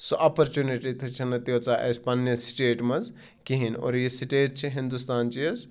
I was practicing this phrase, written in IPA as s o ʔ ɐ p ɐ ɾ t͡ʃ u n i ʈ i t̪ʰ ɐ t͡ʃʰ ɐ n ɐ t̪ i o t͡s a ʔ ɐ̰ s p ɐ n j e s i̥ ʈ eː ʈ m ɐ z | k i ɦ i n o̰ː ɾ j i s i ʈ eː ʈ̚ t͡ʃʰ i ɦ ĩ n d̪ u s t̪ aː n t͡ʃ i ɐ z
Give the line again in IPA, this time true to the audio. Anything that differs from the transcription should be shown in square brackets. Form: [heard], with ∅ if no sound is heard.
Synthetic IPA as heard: s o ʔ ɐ p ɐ ɾ t͡ʃ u n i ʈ i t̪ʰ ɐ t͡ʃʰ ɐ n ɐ t̪ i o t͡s a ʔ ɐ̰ s p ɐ n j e s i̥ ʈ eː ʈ m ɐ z | k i ɦ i n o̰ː ɾ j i s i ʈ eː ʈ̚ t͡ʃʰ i ɦ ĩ n d̪ u s t̪ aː n t͡ʃ i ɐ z